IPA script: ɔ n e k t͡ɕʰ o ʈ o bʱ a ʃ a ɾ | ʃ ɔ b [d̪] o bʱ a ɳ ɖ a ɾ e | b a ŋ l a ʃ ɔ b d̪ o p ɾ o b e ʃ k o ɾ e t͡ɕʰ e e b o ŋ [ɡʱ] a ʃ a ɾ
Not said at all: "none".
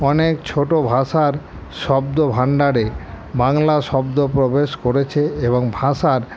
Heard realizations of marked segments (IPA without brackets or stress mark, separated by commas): d̪, bʱ